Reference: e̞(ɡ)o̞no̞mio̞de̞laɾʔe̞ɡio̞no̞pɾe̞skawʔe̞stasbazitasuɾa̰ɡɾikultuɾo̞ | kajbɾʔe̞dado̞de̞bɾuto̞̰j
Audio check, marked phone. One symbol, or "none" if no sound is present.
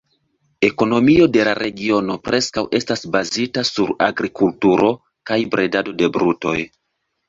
k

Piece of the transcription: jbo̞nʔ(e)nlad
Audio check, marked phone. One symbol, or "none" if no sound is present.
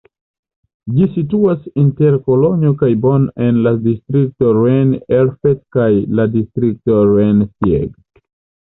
e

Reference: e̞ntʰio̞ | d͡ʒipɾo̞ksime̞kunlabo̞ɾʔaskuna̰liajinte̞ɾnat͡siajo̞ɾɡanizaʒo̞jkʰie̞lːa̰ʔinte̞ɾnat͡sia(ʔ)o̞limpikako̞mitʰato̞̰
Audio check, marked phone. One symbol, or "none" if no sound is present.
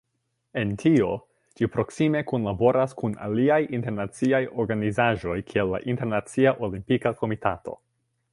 ʔ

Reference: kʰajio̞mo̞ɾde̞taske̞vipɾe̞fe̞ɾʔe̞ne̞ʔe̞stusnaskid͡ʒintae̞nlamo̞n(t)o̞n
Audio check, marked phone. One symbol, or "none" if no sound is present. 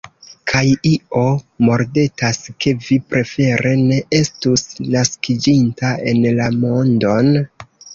d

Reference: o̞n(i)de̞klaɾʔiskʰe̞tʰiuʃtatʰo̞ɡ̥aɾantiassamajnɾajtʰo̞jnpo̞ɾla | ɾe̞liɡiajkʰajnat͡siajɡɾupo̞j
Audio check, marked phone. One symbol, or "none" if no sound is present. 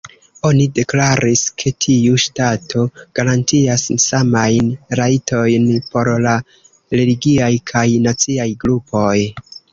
i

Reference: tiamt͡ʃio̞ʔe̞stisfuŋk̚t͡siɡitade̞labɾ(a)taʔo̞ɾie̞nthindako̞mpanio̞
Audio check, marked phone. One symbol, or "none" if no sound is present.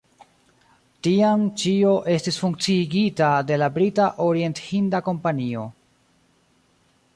i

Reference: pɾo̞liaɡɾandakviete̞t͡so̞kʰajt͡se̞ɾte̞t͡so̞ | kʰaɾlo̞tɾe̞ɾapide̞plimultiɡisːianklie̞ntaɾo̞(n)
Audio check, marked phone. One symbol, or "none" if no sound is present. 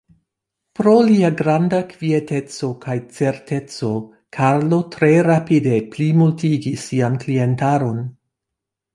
n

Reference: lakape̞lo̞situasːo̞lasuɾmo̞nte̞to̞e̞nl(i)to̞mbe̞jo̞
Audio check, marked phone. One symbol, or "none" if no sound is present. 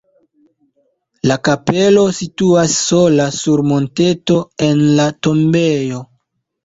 a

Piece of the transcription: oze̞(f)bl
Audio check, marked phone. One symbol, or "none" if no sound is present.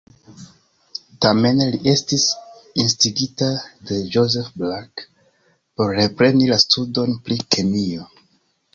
f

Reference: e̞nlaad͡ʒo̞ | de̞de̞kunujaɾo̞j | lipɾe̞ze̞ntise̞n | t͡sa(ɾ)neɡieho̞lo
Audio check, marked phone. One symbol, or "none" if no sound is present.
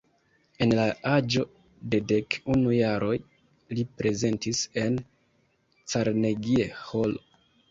ɾ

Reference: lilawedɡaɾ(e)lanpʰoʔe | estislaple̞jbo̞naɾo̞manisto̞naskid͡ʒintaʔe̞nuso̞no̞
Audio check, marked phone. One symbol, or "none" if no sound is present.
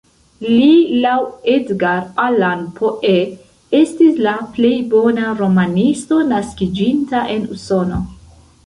a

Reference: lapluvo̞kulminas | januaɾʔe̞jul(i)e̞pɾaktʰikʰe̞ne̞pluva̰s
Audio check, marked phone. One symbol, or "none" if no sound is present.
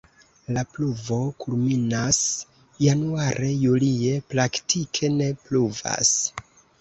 i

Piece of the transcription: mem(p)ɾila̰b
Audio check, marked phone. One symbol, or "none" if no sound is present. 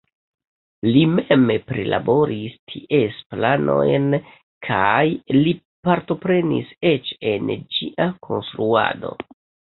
p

